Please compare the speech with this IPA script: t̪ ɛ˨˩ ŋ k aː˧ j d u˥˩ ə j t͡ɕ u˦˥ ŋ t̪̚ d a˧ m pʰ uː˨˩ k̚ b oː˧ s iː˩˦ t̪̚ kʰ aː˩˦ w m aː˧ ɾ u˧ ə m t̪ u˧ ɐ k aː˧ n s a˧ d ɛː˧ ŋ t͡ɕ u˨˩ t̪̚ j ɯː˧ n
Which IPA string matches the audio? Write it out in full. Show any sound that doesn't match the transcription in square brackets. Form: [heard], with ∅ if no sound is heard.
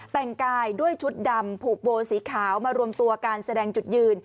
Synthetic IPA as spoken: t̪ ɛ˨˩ ŋ k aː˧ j d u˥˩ ə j [t͡ɕʰ] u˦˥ [∅] t̪̚ d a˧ m pʰ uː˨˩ k̚ b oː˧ s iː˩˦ [∅] kʰ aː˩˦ w m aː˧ ɾ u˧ ə m t̪ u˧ ɐ k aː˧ n s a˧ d ɛː˧ ŋ t͡ɕ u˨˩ t̪̚ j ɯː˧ n